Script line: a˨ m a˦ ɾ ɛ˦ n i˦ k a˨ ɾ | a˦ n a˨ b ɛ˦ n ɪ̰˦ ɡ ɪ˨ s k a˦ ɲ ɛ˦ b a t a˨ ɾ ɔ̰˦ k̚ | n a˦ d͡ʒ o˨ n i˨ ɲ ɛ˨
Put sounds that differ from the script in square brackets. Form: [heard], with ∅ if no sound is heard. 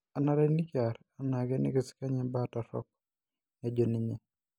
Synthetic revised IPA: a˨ [n] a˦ ɾ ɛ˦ n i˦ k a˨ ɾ | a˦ n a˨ [ɡ] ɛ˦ n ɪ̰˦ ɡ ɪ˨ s k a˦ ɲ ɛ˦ b a t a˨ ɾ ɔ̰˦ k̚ | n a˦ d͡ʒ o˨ n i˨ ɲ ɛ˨